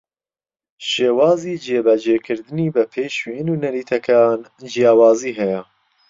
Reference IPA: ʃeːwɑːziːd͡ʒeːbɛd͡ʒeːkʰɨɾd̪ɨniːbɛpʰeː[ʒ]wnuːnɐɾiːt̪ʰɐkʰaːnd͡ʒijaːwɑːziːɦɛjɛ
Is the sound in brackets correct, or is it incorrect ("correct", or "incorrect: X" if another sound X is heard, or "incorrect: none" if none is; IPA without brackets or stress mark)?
incorrect: ʃ